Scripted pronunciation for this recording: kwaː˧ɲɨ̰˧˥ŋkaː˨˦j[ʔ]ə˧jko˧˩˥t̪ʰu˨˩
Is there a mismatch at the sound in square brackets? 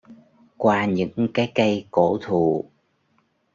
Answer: yes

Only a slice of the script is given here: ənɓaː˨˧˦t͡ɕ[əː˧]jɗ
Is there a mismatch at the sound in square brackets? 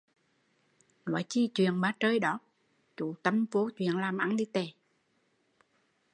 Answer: no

